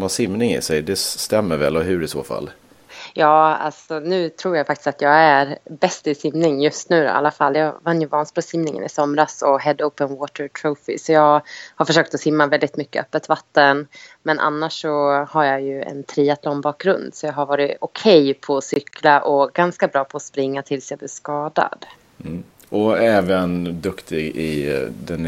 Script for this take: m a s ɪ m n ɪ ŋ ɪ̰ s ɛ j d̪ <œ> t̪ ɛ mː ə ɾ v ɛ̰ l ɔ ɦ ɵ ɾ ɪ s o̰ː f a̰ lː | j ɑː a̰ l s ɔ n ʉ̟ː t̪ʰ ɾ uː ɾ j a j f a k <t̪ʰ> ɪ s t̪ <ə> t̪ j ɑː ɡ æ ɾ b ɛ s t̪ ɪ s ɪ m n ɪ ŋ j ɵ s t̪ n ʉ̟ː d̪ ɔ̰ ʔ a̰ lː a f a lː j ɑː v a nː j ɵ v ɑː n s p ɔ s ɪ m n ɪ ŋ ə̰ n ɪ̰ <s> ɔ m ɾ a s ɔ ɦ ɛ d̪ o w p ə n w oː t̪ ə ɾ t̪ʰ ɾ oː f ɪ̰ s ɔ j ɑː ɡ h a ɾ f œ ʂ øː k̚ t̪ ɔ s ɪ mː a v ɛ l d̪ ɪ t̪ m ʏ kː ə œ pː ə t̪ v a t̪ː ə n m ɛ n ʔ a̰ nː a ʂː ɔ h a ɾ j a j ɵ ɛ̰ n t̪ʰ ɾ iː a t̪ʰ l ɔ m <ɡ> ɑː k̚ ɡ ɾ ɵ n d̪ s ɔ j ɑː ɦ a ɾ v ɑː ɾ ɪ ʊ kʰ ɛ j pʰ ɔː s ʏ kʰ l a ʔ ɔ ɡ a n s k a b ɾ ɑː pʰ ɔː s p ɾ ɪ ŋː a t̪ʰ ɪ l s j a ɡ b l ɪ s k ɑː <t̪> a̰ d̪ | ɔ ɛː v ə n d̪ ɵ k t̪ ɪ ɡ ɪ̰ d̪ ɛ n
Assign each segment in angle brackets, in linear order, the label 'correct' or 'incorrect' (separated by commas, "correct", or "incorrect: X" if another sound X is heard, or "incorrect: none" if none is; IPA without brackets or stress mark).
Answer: incorrect: ɛ, incorrect: t̪, incorrect: a, correct, incorrect: b, incorrect: d̪